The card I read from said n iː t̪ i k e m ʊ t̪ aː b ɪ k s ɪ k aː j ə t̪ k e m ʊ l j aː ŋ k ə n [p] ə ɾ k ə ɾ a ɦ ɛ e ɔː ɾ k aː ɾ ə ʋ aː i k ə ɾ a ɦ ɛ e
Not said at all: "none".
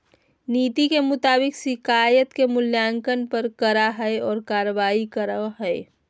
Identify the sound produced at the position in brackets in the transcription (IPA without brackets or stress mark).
p